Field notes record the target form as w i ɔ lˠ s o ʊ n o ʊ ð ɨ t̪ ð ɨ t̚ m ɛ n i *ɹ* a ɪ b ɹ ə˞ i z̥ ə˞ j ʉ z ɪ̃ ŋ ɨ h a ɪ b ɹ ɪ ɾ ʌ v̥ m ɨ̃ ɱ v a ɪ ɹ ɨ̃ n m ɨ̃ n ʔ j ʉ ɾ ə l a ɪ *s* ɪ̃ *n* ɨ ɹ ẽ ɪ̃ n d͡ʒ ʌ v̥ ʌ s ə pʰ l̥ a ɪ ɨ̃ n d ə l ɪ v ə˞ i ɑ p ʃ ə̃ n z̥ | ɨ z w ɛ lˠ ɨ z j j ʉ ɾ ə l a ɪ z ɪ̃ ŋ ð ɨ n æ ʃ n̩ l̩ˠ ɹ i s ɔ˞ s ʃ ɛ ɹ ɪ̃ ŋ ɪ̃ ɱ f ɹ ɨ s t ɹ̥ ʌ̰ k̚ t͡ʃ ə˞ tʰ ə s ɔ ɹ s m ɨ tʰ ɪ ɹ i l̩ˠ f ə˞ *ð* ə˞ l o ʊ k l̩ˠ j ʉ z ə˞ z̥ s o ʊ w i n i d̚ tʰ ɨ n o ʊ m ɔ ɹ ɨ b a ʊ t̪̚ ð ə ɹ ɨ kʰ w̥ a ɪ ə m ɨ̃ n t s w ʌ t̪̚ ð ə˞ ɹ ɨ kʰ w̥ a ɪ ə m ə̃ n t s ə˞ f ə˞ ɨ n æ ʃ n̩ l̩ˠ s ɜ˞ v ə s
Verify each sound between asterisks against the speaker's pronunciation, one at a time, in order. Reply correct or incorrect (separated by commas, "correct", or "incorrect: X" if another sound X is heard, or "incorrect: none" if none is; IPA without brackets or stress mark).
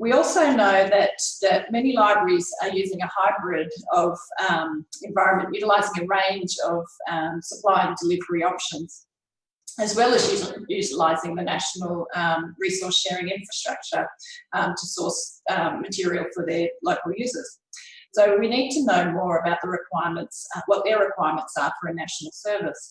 incorrect: l, incorrect: z, incorrect: ŋ, correct